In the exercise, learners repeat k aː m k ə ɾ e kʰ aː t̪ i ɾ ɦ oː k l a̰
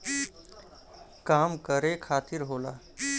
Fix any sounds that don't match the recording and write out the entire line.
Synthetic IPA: k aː m k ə ɾ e kʰ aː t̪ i ɾ ɦ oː l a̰

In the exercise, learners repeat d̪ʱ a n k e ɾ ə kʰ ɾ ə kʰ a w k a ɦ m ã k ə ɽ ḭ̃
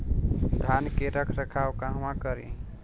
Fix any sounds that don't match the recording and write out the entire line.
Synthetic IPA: d̪ʱ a n k e ɾ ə kʰ ɾ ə kʰ a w k a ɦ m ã k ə ɾ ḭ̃

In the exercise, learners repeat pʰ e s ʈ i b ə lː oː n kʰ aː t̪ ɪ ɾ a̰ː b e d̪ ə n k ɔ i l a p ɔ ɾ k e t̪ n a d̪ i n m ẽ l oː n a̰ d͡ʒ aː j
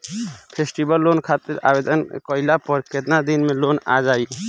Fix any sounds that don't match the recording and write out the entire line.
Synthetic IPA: pʰ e s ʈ i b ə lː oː n kʰ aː t̪ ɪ ɾ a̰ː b e d̪ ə n k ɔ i l a p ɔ ɾ k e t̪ n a d̪ i n m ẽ l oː n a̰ d͡ʒ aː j

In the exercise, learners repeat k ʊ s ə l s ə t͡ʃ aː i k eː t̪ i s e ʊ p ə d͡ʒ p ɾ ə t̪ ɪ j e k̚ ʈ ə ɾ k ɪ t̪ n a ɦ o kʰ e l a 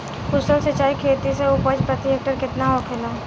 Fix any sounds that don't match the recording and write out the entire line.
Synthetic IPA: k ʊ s ə l s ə t͡ʃ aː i kʰ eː t̪ i s e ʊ p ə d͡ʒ p ɾ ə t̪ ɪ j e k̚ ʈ ə ɾ k ɪ t̪ n a ɦ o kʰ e l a

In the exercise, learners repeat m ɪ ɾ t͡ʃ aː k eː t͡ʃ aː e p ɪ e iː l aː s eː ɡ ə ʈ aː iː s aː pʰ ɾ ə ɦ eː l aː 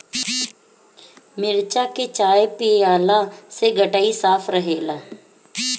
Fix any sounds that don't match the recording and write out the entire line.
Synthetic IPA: m ɪ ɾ t͡ʃ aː k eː t͡ʃ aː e p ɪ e aː l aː s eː ɡ ə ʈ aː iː s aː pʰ ɾ ə ɦ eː l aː

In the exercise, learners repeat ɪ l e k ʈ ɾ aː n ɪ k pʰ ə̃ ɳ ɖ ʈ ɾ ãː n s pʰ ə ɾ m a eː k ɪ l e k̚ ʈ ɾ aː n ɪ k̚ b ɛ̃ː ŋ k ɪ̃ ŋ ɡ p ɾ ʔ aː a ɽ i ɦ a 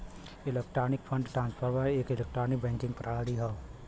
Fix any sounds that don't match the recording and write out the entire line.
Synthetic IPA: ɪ l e k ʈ ɾ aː n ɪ k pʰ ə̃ ɳ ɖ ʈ ɾ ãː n s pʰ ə ɾ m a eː k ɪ l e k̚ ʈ ɾ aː n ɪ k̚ b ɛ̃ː ŋ k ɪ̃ ŋ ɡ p ɾ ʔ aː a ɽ i ɦ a

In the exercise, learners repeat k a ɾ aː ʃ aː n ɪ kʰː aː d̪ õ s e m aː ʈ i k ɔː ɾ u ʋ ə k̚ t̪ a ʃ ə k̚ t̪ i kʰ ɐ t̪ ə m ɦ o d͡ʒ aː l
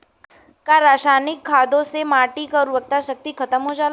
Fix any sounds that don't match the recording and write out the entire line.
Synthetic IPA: k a ɾ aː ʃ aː n ɪ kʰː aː d̪ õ s e m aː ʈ i k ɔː ɾ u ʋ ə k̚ t̪ a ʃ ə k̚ t̪ i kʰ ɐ t̪ ə m ɦ o d͡ʒ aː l

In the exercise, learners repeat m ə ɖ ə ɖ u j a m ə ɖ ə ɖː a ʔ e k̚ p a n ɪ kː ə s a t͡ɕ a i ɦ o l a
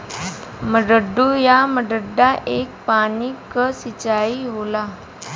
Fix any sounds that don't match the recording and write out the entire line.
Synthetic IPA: m ə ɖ ə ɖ u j a m ə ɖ ə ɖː a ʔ e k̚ p a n i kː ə s i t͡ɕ a i ɦ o l a

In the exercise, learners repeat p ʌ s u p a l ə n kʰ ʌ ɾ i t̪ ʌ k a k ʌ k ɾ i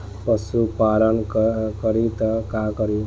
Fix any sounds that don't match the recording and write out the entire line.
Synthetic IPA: p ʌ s u p a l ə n k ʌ ɾ i t̪ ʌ k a k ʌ ɾ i

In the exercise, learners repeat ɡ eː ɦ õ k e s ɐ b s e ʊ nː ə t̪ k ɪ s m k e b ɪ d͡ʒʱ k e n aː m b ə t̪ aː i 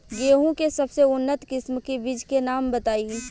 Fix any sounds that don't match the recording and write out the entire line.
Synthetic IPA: ɡ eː ɦ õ k e s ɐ b s e ʊ nː ə t̪ k ɪ s m k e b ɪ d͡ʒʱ k e n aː m b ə t̪ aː i

